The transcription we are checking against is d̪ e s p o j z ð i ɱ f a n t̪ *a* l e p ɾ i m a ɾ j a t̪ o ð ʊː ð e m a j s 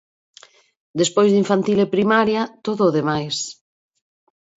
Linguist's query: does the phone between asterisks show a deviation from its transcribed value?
yes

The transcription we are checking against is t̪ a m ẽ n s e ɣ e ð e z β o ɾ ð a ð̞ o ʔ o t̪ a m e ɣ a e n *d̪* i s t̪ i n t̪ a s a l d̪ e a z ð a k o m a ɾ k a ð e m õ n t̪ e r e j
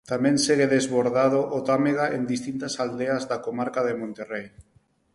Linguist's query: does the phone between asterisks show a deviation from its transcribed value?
no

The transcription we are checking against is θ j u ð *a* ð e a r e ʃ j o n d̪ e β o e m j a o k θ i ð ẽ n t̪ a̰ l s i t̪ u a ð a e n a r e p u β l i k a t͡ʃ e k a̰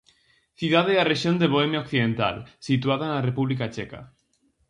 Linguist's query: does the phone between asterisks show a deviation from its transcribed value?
no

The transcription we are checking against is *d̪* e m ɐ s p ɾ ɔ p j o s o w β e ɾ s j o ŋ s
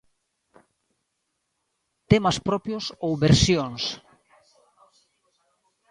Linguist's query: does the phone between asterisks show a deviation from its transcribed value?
yes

